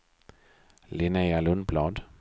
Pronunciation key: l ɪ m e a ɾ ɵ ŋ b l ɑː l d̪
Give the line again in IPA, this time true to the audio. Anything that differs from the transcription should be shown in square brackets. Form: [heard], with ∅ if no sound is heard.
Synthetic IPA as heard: l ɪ [n] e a [l] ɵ [n] b l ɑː [∅] d̪

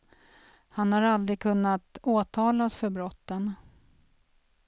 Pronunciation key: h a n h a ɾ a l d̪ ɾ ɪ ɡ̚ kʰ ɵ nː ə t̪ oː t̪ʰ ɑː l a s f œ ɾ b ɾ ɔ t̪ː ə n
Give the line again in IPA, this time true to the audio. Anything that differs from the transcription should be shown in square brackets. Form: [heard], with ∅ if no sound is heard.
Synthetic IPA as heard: h a n h a ɾ a l d̪ ɾ ɪ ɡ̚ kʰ ɵ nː [a] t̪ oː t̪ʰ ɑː l a s f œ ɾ b ɾ ɔ t̪ː ə n

